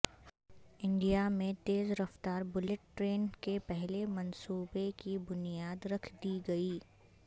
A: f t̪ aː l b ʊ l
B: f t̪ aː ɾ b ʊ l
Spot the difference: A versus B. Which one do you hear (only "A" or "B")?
B